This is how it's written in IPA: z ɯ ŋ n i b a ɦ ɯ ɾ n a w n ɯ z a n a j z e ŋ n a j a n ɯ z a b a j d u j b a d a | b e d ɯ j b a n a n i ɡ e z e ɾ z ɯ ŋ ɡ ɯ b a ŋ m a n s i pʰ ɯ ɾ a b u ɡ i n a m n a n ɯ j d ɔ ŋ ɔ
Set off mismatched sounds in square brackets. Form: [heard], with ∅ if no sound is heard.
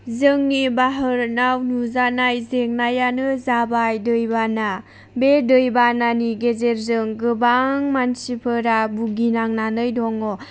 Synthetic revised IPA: z ɯ ŋ n i b a ɦ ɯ ɾ n a w n [u] z a n a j z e ŋ n a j a n ɯ z a b a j d [ɯ] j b a [n] a | b e d ɯ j b a n a n i ɡ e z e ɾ z ɯ ŋ ɡ ɯ b a ŋ m a n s i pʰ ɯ ɾ a b u ɡ i n a [ŋ] n a n ɯ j d ɔ ŋ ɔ